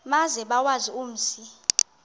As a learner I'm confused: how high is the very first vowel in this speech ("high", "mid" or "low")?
low